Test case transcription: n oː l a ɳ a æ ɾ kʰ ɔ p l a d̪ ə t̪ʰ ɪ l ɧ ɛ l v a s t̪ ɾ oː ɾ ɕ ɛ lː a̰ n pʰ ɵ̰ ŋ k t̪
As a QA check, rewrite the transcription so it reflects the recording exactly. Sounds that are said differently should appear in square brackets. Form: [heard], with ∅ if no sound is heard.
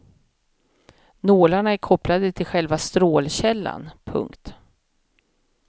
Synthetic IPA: n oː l a ɳ a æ ɾ kʰ ɔ p l a d̪ ə t̪ʰ ɪ l ɧ ɛ l v a s t̪ ɾ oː [l] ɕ ɛ lː a̰ n pʰ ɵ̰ ŋ k t̪